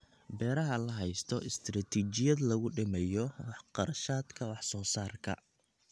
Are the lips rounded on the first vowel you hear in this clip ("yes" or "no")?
no